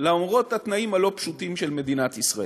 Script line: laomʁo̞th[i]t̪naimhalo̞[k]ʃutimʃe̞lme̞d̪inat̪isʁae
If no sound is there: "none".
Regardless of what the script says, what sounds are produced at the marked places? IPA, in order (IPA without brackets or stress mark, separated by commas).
a, p